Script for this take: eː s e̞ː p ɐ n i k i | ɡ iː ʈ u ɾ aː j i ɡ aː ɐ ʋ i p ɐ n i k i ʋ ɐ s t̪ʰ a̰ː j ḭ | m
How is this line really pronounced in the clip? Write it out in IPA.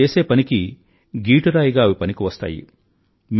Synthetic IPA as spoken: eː s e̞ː p ɐ n i k i | ɡ iː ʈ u ɾ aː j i ɡ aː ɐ ʋ i p ɐ n i k i ʋ ɐ s t̪ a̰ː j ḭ | m